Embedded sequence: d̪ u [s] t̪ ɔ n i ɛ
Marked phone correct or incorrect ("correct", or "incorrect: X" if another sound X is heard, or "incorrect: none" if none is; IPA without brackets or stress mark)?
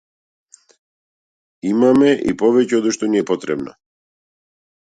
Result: incorrect: ʃ